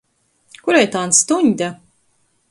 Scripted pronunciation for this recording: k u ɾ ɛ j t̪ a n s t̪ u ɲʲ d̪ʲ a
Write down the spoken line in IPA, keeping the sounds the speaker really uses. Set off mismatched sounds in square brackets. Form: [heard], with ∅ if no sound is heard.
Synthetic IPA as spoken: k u ɾ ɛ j t̪ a n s t̪ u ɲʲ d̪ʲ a